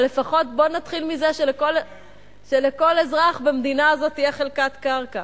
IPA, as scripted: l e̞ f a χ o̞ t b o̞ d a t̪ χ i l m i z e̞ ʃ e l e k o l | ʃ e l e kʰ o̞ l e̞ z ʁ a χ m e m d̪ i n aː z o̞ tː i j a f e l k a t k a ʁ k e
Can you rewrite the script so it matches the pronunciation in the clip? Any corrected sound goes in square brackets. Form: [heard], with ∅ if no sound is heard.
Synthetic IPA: l e̞ f a χ o̞ t b o̞ [n] a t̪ χ i l m i z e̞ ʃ e l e k o l | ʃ e l e [k] o̞ l e̞ z ʁ a χ [b] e m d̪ i n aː z o̞ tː i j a [χ] e l k a t k a ʁ k [a]